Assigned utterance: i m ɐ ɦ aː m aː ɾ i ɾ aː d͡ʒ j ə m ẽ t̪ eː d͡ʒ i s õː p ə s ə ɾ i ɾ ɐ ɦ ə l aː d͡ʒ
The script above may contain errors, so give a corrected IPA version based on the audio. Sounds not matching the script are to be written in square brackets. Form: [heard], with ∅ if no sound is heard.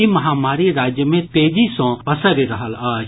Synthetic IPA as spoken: i m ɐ ɦ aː m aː ɾ i ɾ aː d͡ʒ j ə m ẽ t̪ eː d͡ʒ i s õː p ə s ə ɾ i ɾ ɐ ɦ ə l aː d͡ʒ